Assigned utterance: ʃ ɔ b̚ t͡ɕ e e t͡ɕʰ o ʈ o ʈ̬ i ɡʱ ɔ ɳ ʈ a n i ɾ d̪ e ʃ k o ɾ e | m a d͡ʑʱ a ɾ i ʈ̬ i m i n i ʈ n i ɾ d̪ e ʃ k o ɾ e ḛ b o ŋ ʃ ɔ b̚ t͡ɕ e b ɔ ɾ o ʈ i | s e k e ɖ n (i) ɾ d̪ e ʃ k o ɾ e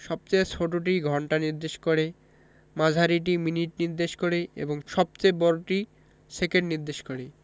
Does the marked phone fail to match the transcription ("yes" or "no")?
no